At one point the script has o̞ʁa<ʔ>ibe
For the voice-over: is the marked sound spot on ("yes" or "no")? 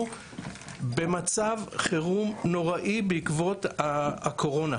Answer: yes